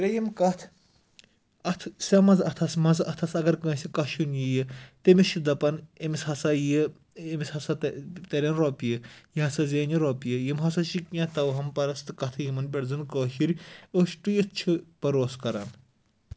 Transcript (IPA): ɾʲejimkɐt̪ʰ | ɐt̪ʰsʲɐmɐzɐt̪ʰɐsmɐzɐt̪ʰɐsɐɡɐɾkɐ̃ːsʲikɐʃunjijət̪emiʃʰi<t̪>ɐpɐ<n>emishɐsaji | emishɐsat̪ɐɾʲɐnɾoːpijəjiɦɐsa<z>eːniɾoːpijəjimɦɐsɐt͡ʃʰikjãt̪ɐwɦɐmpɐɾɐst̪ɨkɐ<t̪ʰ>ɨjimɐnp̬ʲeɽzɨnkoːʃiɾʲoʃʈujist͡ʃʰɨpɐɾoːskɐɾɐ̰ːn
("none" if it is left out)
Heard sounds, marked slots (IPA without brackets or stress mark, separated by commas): d̪, n, z, t̪ʰ